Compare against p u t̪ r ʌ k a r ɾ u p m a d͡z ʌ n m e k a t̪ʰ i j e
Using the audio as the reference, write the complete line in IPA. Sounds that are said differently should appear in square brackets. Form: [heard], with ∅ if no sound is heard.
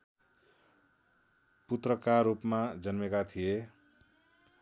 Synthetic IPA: p u t̪ r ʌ k a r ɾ u p m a d͡z ʌ n m e k a t̪ʰ i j e